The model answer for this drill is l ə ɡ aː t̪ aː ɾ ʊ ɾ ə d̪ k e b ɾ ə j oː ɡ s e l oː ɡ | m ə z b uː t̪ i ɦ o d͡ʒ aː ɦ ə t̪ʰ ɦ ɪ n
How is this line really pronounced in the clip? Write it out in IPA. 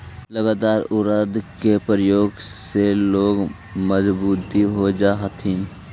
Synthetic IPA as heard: l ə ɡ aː t̪ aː ɾ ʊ ɾ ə d̪ k e p ɾ ə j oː ɡ s e l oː ɡ | m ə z b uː t̪ i ɦ o d͡ʒ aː ɦ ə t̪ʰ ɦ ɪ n